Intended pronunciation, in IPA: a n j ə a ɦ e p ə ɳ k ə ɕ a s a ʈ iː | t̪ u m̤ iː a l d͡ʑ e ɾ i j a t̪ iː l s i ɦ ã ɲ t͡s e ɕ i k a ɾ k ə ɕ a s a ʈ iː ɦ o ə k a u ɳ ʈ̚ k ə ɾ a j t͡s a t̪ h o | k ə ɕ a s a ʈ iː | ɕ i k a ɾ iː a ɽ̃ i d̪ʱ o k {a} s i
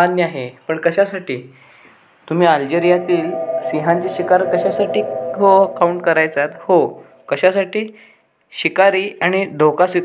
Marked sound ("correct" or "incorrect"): correct